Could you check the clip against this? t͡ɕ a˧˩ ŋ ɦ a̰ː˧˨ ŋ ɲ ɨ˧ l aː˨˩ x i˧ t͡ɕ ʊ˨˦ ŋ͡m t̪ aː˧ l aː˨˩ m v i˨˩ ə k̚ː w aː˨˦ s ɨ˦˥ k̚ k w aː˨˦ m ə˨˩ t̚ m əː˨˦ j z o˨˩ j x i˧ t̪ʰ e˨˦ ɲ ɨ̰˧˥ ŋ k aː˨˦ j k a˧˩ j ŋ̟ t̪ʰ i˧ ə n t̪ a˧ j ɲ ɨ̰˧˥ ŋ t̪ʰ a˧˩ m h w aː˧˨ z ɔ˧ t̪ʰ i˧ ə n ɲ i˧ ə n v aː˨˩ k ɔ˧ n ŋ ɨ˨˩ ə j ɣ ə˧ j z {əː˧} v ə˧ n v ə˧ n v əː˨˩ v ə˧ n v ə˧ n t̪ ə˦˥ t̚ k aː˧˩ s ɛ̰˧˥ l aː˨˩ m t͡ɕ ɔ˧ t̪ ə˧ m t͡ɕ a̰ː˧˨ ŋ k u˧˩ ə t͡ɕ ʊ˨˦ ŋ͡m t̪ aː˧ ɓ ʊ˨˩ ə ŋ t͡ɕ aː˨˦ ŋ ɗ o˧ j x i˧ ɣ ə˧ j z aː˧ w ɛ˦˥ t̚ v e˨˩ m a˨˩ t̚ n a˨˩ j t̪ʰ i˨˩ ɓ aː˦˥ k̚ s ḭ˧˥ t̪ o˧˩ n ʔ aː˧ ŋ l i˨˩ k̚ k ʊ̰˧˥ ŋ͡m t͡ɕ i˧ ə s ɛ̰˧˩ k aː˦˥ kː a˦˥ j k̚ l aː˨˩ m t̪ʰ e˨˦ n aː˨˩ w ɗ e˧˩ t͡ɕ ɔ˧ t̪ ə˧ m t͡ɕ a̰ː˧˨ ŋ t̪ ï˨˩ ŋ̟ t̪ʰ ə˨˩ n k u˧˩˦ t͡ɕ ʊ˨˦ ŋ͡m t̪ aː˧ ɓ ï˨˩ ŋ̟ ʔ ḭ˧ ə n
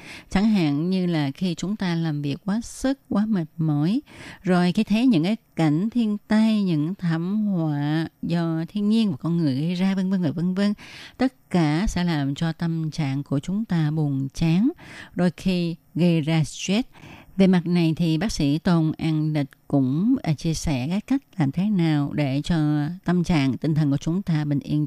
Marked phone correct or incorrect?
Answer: incorrect